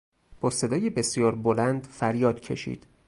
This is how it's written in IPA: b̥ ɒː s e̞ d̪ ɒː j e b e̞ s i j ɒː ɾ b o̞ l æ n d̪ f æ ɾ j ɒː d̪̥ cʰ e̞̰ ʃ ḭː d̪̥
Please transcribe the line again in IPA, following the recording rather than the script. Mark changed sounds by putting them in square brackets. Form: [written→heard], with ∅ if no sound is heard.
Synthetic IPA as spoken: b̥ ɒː s e̞ d̪ ɒː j e b e̞ s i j ɒː ɾ b o̞ l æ n d̪ f æ ɾ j ɒː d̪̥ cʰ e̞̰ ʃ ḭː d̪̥